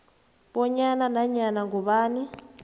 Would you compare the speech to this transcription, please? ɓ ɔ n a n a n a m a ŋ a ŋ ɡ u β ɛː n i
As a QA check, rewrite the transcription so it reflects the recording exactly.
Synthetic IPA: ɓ ɔ ɲ a n a n a ɲ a n a ŋ ɡ u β aː n i